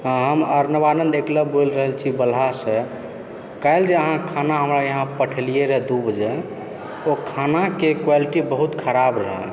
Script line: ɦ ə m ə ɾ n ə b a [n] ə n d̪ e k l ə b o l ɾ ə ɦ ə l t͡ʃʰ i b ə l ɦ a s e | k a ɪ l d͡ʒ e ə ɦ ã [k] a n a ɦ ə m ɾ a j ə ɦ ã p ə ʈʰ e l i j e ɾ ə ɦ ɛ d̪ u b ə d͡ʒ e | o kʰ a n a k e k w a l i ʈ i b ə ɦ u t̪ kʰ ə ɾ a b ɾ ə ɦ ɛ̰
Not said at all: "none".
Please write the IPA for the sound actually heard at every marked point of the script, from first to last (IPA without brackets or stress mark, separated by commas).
n, kʰ